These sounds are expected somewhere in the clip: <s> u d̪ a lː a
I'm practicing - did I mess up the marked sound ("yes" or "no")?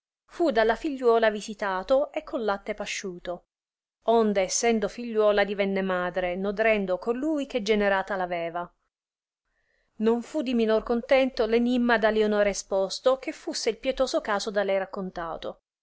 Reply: yes